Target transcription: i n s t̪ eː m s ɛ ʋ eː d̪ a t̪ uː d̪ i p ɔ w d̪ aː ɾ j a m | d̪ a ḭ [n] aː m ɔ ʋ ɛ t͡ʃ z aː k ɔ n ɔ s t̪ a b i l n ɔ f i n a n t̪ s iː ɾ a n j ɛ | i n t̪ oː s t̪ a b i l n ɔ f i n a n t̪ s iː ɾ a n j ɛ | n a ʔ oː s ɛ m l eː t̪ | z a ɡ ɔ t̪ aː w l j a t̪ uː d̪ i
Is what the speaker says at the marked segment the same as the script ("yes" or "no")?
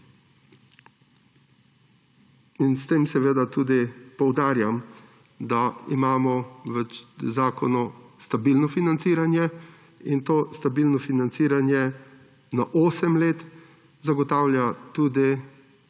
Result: no